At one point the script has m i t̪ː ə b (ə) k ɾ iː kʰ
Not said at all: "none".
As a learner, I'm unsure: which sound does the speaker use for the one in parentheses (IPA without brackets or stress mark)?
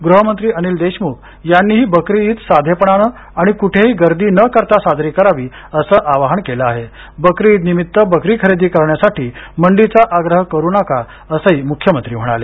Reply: ə